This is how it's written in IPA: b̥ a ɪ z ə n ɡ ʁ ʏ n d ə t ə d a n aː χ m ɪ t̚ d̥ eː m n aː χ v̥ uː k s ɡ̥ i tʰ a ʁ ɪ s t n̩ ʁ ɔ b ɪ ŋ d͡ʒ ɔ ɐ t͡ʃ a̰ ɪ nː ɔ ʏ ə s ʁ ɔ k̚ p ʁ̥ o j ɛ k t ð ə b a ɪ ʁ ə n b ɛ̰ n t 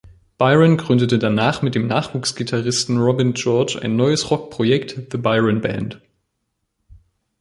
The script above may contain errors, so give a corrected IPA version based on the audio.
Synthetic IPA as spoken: b̥ a ɪ ʁ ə n ɡ ʁ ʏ n d ə t ə d a n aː χ m ɪ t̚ d̥ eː m n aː χ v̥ uː k s ɡ̥ i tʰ a ʁ ɪ s t n̩ ʁ ɔ b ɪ n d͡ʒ ɔ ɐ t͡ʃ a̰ ɪ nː ɔ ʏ ə s ʁ ɔ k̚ p ʁ̥ o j ɛ k t ð ə b a ɪ ʁ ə n b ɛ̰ n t